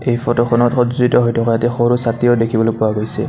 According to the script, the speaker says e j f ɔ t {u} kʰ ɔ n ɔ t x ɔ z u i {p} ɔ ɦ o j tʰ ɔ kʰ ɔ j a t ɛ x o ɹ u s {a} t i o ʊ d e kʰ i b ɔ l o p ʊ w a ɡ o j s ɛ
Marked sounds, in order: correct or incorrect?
incorrect: ɔ, incorrect: t, correct

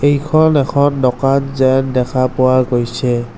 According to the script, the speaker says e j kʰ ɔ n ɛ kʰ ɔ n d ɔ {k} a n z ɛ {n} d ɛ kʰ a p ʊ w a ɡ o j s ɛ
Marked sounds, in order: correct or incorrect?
correct, correct

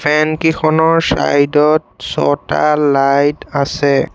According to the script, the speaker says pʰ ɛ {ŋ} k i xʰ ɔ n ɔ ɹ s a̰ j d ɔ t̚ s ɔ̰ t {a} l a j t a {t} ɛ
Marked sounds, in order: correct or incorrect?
incorrect: n, correct, incorrect: s

